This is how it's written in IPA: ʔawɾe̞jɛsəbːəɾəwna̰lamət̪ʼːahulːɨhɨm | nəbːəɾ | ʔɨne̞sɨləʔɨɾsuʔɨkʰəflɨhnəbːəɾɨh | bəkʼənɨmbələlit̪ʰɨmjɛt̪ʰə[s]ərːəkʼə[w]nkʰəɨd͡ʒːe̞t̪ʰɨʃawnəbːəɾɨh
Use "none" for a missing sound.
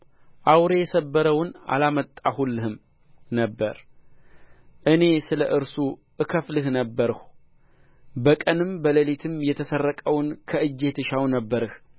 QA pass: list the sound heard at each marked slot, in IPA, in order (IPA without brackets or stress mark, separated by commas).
s, w